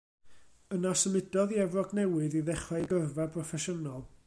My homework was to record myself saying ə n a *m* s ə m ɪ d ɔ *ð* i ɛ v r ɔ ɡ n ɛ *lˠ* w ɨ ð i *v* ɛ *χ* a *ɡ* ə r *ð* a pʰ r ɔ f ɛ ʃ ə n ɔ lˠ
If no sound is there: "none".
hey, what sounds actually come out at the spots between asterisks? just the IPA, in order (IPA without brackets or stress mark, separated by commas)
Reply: none, ð, none, ð, χ, ɡ, v